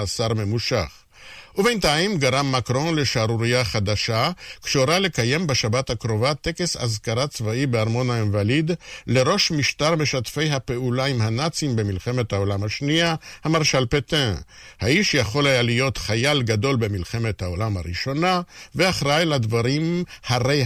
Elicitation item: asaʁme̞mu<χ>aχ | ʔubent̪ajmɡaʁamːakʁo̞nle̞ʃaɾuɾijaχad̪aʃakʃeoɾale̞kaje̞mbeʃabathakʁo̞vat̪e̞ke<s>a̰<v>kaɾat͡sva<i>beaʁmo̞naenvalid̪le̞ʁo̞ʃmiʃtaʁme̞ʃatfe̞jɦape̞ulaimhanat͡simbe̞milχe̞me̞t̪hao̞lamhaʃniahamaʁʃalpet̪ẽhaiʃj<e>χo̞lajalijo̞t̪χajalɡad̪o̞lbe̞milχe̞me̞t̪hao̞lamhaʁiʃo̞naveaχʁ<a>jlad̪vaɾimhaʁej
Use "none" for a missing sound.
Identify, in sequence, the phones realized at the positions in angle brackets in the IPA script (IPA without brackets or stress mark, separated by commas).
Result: ʃ, s, z, i, a, a